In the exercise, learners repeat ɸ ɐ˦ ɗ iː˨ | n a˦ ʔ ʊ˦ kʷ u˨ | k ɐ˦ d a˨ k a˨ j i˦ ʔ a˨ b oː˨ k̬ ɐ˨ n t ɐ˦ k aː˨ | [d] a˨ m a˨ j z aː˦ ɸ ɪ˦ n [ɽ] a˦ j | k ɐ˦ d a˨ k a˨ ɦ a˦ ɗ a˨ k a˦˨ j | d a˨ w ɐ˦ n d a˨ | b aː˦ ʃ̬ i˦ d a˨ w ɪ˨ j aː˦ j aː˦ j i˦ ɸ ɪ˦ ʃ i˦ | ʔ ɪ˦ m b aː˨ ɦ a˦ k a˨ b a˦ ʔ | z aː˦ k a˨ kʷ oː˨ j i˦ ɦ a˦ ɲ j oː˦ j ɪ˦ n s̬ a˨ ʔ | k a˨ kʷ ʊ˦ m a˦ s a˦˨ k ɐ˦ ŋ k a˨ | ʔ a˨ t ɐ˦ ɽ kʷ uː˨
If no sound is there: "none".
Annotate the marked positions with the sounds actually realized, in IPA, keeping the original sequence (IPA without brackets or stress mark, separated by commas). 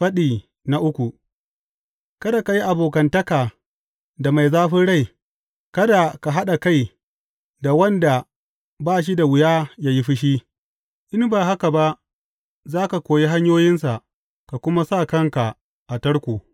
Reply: d, ɽ